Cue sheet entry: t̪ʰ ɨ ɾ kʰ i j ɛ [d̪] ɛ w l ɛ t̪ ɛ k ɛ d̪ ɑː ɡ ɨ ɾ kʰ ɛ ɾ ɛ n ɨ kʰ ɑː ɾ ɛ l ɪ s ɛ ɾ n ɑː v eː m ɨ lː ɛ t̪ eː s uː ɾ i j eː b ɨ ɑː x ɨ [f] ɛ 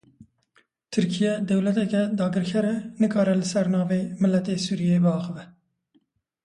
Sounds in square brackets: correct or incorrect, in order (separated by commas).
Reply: correct, incorrect